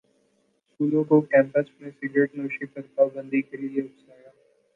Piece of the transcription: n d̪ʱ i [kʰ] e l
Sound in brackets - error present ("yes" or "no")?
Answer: yes